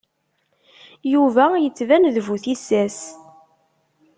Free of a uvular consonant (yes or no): yes